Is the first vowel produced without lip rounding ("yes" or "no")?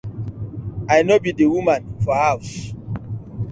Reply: yes